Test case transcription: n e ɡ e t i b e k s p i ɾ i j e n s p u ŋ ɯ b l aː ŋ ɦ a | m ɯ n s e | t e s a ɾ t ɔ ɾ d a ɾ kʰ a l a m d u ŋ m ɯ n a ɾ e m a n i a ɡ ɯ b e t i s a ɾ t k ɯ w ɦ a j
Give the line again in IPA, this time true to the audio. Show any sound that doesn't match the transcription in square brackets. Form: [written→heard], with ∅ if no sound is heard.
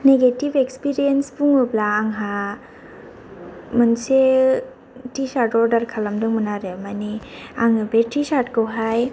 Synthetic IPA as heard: n e ɡ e t i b e k s p i ɾ i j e n s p u ŋ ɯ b l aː ŋ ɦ a | m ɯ n s e | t [e→i] s a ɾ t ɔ ɾ d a ɾ kʰ a l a m d [u→ɯ] ŋ m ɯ n a ɾ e m a n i a [ɡ→ŋ] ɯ b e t i s a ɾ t k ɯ w ɦ a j